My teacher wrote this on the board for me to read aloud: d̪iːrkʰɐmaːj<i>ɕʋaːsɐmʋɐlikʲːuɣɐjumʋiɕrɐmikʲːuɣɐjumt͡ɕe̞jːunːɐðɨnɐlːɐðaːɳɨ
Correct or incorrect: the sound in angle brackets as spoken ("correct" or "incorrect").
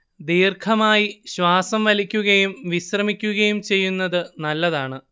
correct